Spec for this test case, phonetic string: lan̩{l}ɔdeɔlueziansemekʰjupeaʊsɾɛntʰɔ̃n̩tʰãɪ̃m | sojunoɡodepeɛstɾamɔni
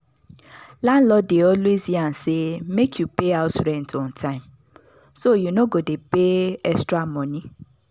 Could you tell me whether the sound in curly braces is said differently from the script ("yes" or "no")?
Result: no